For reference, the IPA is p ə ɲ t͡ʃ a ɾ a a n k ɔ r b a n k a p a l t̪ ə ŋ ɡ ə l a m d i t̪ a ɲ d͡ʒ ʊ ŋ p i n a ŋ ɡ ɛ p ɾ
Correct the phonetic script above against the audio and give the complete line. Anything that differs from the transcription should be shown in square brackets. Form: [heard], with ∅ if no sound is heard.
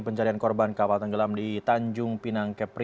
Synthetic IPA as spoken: p ə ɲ t͡ʃ a ɾ [i] a n k ɔ r b a n k a p a l t̪ ə ŋ ɡ ə l a m d i t̪ a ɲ d͡ʒ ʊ ŋ p i n a ŋ [k] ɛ p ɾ